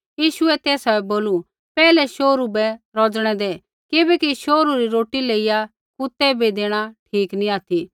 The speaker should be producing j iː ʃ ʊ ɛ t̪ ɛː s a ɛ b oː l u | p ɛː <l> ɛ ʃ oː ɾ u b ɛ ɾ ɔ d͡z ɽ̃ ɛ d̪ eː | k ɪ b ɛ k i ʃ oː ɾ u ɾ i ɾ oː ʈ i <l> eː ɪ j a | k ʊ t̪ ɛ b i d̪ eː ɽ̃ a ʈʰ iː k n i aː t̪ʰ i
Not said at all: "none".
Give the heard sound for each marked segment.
l, l

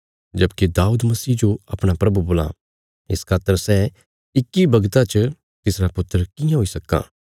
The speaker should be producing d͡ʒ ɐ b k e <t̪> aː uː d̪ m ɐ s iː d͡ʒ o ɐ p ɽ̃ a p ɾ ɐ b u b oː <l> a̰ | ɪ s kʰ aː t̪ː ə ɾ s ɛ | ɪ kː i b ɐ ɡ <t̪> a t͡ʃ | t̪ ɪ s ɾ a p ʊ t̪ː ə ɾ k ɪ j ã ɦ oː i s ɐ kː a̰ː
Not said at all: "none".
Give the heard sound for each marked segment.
d̪, l, t̪

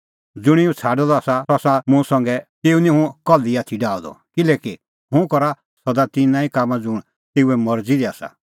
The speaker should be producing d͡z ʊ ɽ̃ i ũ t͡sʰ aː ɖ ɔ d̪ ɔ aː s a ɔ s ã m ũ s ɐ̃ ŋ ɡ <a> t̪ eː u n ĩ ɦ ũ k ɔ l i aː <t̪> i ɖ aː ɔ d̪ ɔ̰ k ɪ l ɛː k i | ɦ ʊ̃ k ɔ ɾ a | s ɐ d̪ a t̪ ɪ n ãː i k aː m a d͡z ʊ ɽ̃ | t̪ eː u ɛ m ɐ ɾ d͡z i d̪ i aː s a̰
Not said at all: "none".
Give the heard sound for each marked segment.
ɛ, t̪ʰ

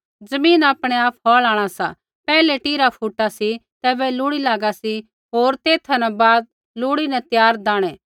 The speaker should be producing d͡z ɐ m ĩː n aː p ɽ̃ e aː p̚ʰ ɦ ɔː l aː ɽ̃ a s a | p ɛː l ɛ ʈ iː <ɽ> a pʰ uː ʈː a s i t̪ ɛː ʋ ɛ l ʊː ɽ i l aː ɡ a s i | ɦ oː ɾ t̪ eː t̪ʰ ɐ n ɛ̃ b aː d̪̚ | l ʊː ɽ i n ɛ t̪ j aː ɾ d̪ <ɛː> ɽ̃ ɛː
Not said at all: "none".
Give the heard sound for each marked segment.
ɾ, aː

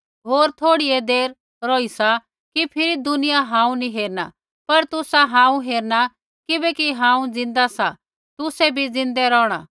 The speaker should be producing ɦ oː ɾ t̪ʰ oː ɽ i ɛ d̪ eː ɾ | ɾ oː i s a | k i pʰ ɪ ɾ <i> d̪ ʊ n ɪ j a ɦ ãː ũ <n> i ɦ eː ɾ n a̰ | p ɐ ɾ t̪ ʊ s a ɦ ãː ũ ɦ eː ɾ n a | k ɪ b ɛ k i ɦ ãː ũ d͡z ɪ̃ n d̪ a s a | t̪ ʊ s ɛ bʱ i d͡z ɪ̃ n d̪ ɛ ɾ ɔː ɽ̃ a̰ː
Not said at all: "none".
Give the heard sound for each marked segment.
i, n

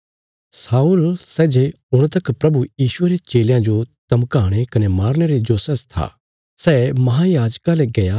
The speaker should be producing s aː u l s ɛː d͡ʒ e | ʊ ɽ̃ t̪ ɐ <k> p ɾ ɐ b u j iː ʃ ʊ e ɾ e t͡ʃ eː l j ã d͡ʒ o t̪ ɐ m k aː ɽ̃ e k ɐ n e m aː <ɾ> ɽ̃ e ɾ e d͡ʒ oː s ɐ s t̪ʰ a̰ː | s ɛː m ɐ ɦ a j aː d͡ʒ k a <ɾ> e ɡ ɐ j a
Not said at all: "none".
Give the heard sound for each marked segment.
k, ɾ, l

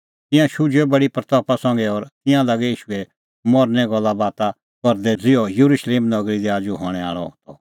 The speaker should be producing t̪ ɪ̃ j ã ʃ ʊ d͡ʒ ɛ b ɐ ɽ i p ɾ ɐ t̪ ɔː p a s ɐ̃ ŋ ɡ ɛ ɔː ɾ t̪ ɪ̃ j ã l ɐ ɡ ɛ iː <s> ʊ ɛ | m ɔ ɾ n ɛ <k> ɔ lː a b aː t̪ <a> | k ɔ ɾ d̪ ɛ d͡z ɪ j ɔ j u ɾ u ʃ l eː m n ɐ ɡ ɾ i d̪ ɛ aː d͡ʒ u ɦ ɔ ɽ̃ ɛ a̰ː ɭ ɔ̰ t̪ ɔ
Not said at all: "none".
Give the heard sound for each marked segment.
ʃ, ɡ, a

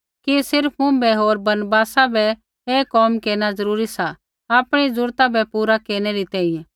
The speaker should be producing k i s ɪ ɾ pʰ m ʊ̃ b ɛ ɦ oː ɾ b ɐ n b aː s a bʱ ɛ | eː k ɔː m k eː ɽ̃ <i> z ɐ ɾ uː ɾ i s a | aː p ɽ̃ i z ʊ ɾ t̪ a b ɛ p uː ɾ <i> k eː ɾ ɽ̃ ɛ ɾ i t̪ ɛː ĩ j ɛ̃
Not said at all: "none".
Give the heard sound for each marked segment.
a, a

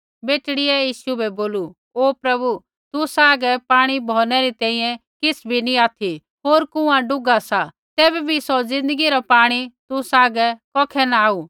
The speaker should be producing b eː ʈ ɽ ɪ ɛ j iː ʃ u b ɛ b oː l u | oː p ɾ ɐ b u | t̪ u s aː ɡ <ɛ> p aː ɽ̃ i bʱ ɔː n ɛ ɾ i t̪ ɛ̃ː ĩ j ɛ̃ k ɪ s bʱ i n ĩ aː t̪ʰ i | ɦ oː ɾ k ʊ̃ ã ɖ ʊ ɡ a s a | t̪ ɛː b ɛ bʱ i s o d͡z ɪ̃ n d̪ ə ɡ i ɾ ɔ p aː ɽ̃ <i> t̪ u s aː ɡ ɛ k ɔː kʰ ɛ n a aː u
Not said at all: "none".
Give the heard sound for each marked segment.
ɛ, i

